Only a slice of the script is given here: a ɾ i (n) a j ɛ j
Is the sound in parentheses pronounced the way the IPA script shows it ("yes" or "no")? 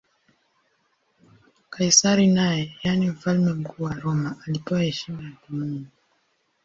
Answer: yes